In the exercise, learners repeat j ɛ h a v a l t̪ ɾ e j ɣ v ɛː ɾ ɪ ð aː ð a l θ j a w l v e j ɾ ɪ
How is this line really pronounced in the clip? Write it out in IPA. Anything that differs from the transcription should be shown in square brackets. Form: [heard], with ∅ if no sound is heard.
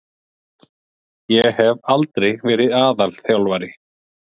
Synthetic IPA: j ɛ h [ɛ] v a l t̪ ɾ e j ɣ v ɛː ɾ ɪ ð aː ð a l θ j a w l v [a] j ɾ ɪ